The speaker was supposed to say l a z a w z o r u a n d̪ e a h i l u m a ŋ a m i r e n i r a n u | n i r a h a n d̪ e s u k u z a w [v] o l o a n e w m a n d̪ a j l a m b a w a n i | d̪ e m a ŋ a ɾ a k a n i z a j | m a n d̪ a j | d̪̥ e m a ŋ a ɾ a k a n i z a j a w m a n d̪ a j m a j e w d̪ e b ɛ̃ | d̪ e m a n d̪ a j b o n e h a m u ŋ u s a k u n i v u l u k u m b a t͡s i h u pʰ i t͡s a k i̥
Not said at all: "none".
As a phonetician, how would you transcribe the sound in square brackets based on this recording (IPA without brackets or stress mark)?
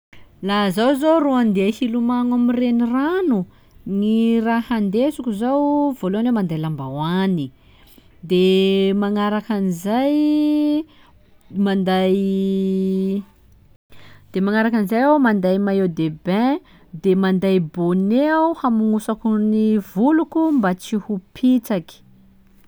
v